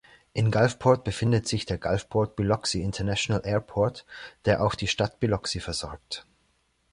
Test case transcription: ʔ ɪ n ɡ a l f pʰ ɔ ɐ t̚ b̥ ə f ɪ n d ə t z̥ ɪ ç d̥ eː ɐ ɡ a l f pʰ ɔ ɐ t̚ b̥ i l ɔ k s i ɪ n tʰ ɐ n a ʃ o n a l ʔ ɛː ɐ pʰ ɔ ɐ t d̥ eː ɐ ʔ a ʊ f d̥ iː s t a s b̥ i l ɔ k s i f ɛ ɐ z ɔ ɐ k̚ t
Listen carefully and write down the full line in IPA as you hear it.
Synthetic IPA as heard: ʔ ɪ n ɡ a l f pʰ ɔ ɐ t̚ b̥ ə f ɪ n d ə t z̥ ɪ ç d̥ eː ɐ ɡ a l f pʰ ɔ ɐ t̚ b̥ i l ɔ k s i ɪ n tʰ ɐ n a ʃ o n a l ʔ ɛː ɐ pʰ ɔ ɐ t d̥ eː ɐ ʔ a ʊ x d̥ iː ʃ t a t b̥ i l ɔ k s i f ɛ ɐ z ɔ ɐ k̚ t